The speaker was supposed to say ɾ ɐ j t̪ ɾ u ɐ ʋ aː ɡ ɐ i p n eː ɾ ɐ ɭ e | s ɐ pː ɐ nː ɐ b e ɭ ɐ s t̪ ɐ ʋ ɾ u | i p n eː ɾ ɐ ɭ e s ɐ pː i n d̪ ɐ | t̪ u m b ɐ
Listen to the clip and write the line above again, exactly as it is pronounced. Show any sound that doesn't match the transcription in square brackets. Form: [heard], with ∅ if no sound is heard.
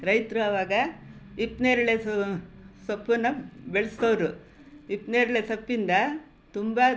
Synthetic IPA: ɾ ɐ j t̪ ɾ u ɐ ʋ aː ɡ ɐ i p n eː ɾ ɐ ɭ e | s ɐ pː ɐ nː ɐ b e ɭ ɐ s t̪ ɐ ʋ ɾ u | i p n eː ɾ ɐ ɭ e s ɐ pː i n d̪ ɐ | t̪ u m b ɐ